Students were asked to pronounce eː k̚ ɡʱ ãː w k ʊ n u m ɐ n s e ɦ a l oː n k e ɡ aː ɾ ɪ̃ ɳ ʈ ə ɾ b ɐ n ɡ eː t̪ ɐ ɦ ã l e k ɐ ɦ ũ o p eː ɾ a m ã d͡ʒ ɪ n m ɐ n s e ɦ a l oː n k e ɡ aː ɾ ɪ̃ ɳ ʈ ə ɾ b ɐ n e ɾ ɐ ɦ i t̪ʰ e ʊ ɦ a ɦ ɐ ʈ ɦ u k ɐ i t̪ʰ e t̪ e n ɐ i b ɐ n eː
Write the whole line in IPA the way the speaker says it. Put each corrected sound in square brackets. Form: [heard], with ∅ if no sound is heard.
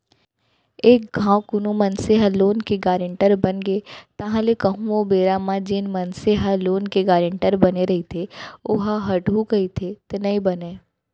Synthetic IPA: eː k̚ ɡʱ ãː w k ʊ n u m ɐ n s e ɦ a l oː n k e ɡ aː ɾ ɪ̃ ɳ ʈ ə ɾ b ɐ n ɡ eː t̪ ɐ ɦ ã l e k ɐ ɦ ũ o [b] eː ɾ a m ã d͡ʒ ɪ n m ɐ n s e ɦ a l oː n k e ɡ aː ɾ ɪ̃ ɳ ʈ ə ɾ b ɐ n e ɾ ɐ ɦ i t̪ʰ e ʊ ɦ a ɦ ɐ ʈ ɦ u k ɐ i t̪ʰ e t̪ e n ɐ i b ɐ n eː